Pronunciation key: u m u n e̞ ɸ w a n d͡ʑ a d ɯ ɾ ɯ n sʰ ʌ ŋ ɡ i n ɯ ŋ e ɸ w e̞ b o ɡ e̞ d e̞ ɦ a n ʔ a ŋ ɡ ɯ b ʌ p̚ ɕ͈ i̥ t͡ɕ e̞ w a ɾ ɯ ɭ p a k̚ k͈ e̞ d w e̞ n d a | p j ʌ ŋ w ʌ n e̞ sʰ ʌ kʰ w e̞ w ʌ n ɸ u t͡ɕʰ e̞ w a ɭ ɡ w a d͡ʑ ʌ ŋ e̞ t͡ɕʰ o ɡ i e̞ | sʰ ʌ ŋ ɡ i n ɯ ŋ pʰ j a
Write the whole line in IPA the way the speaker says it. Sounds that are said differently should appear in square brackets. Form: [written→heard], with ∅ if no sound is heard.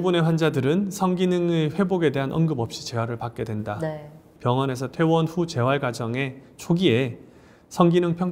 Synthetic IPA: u [m→b] u n e̞ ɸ w a n d͡ʑ a d ɯ ɾ ɯ n sʰ ʌ ŋ ɡ i n ɯ ŋ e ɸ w e̞ b o ɡ e̞ d e̞ ɦ a n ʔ [a→ʌ] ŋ ɡ ɯ b ʌ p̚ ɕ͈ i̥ t͡ɕ e̞ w a ɾ ɯ ɭ p a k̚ k͈ e̞ d w e̞ n d a | p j ʌ ŋ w ʌ n e̞ sʰ ʌ [kʰ→tʰ] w e̞ w ʌ n ɸ u [t͡ɕʰ→t͡ɕ] e̞ w a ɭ ɡ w a d͡ʑ ʌ ŋ e̞ t͡ɕʰ o ɡ i e̞ | sʰ ʌ ŋ ɡ i n ɯ ŋ pʰ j [a→ʌ]